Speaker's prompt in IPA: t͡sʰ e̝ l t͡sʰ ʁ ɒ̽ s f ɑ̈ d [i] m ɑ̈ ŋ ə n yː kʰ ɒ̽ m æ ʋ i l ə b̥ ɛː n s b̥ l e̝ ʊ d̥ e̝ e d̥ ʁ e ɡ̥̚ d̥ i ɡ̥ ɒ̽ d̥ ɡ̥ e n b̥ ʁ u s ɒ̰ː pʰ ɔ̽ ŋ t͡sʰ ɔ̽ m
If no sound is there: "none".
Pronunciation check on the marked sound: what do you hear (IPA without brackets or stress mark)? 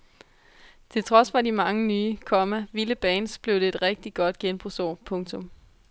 i